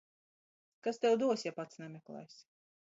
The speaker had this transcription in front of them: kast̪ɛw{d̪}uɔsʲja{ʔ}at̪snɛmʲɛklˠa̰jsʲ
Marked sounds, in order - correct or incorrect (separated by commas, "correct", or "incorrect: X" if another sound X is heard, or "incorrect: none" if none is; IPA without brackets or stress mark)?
correct, incorrect: p